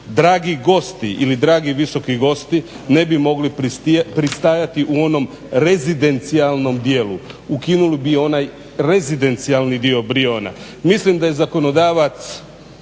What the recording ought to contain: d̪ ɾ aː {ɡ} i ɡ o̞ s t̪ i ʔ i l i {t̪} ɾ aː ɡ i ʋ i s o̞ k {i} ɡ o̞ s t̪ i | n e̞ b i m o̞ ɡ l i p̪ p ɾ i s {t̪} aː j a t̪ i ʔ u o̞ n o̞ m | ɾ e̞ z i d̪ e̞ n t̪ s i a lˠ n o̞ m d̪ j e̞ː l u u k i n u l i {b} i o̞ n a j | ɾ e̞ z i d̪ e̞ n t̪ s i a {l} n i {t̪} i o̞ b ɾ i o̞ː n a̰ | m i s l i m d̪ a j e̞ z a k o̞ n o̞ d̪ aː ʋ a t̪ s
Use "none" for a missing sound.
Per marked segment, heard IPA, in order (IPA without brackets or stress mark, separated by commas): ɡ, d̪, i, t̪, b, l, d̪